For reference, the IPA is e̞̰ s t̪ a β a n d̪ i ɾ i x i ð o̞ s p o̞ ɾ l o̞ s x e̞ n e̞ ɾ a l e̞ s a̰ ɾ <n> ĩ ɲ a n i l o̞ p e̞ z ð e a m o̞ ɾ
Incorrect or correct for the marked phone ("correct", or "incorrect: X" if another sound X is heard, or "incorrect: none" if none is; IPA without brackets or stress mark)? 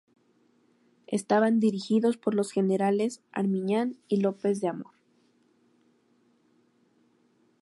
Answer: incorrect: m